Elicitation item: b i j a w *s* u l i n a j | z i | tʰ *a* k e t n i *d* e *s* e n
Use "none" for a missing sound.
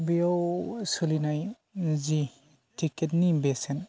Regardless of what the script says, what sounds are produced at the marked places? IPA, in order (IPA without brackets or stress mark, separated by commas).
s, i, b, s